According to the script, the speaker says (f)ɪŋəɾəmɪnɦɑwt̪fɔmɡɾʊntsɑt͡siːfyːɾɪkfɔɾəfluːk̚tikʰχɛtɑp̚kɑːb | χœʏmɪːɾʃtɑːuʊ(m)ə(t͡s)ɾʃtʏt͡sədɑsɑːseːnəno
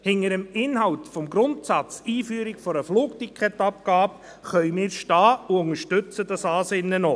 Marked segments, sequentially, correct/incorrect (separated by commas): incorrect, incorrect, incorrect